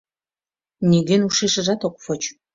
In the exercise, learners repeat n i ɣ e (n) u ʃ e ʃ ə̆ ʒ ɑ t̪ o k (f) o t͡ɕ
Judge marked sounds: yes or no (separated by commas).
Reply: yes, yes